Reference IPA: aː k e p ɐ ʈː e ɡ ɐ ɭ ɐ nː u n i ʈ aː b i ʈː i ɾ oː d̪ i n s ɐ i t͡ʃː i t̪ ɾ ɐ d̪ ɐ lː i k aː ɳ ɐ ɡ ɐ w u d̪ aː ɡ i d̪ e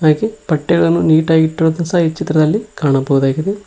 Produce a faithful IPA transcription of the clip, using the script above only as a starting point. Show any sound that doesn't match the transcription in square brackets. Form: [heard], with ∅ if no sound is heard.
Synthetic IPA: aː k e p ɐ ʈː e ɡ ɐ ɭ ɐ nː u n [iː] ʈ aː [ɡ] i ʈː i ɾ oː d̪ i n s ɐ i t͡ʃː i t̪ ɾ ɐ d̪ ɐ lː i k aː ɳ ɐ [b] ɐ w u d̪ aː ɡ i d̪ e